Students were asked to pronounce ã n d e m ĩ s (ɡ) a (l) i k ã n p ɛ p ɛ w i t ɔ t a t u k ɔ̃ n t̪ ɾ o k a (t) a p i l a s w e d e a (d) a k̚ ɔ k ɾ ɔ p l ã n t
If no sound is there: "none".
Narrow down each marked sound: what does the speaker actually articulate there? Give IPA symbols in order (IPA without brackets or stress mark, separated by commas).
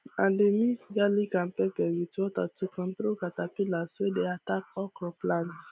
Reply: ɡ, l, t, t